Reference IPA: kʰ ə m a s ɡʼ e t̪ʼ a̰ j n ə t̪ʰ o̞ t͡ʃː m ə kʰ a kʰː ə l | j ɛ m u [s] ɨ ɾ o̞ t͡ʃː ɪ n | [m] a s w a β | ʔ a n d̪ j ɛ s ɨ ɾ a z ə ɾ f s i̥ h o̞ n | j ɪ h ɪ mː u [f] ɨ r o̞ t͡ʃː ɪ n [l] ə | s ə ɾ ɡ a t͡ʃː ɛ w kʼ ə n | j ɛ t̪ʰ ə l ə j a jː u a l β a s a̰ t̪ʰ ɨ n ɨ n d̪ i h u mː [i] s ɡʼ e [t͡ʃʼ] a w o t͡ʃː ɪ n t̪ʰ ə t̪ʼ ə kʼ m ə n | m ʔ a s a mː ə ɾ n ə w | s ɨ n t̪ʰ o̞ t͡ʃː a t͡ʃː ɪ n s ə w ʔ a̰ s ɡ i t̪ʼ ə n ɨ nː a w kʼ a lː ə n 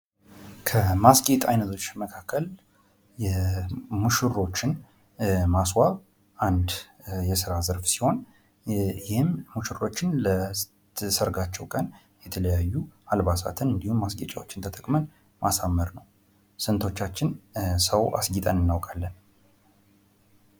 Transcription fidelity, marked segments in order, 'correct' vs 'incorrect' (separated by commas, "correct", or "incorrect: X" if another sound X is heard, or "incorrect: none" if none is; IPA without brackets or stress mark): incorrect: ʃ, correct, incorrect: ʃ, correct, incorrect: a, correct